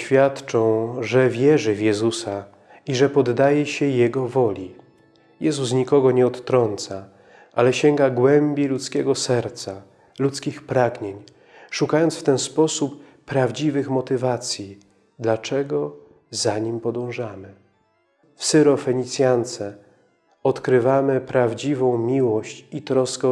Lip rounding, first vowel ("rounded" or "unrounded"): unrounded